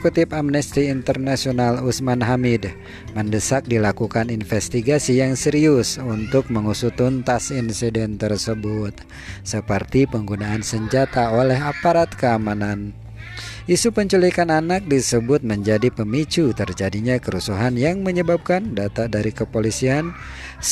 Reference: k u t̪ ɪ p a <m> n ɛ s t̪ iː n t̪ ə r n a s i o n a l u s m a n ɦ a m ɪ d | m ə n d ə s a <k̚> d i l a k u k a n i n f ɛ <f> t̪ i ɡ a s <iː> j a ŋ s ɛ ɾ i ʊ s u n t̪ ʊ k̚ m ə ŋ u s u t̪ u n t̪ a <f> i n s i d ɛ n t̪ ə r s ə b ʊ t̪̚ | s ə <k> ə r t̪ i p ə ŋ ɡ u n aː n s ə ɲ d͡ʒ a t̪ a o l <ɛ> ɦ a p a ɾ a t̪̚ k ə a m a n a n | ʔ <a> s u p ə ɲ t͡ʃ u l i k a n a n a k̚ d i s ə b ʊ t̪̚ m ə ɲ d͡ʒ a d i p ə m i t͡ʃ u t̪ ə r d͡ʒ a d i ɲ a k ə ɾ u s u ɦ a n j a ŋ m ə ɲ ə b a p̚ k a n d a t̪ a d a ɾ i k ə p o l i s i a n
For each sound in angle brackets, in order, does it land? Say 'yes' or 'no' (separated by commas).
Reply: yes, yes, no, no, no, no, yes, no